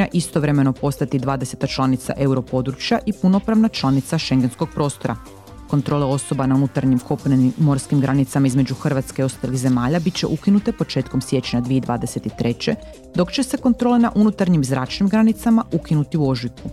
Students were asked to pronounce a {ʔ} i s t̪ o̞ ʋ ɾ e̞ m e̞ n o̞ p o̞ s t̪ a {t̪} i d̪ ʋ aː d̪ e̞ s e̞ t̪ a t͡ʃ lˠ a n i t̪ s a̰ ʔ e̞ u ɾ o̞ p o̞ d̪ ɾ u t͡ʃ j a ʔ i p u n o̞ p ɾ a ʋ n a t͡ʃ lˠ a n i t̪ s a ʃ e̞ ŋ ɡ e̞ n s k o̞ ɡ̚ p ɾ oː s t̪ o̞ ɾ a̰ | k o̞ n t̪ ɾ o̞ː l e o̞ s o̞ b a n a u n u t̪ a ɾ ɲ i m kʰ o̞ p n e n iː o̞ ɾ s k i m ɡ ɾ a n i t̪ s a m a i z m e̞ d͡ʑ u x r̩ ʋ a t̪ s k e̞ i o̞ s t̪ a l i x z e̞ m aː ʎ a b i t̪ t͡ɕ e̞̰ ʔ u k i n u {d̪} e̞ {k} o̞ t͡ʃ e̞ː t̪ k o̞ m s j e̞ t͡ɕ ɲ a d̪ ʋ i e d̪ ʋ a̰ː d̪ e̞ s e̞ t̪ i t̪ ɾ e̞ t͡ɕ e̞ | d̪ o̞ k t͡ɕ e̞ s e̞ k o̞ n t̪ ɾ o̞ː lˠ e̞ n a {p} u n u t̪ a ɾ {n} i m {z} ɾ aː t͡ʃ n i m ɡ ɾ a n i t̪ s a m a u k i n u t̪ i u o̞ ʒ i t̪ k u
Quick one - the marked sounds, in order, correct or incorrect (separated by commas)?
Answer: correct, correct, incorrect, incorrect, incorrect, incorrect, correct